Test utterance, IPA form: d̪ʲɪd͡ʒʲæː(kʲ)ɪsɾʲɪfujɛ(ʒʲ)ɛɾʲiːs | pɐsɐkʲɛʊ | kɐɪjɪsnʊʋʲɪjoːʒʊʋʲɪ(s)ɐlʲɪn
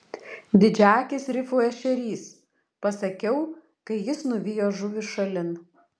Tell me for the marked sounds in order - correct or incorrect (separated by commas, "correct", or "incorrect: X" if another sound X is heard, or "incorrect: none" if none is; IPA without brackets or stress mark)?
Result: correct, incorrect: ʃʲ, incorrect: ʃ